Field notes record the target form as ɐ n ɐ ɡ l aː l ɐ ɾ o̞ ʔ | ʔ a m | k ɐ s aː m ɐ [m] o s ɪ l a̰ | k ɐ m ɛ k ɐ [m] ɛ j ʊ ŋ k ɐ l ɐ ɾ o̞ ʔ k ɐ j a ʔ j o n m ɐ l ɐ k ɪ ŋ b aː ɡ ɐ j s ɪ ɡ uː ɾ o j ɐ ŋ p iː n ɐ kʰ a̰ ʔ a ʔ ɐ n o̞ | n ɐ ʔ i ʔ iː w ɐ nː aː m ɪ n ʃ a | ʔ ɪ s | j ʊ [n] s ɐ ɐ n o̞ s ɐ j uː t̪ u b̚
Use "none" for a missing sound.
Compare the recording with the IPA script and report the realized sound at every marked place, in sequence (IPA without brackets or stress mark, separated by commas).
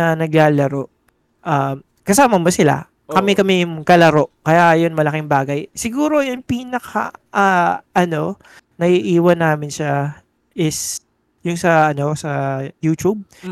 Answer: m, m, ŋ